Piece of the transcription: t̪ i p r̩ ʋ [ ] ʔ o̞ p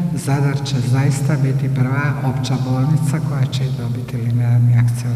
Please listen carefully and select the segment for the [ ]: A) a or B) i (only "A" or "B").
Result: A